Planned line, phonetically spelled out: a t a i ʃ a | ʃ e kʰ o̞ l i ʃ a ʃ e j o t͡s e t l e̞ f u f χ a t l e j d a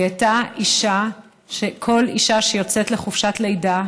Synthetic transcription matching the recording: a t a i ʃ a | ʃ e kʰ o̞ l i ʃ a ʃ e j o t͡s e t l e̞ χ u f ʃ a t l e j d a